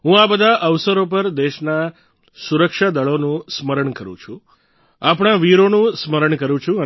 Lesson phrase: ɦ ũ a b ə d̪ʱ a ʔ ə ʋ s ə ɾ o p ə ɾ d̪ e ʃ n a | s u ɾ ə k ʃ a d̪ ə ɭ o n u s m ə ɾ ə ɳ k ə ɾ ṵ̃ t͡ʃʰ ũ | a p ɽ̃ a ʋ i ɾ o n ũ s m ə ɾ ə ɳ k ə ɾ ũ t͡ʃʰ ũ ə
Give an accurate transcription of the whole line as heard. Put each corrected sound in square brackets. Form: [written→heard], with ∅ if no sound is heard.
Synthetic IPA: ɦ ũ a b ə d̪ʱ a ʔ ə ʋ s ə ɾ o p ə ɾ d̪ e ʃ n a | s u ɾ ə k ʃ a d̪ ə ɭ o n [u→ũ] s m ə ɾ ə ɳ k ə ɾ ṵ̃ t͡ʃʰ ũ | a p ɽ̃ a ʋ i ɾ o n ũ s m ə ɾ ə ɳ k ə ɾ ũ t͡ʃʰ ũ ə